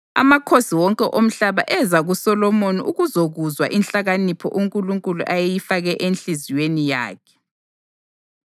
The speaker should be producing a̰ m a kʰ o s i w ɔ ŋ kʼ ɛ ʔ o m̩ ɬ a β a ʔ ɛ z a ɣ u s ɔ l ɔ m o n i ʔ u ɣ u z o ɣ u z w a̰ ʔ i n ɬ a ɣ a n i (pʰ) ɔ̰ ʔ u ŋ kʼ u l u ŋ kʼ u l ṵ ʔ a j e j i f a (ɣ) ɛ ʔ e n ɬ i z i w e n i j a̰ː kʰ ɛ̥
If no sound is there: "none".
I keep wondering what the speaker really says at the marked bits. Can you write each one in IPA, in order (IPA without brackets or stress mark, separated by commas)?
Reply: pʰ, ɣ